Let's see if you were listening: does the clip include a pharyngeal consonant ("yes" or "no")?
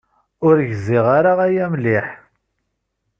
yes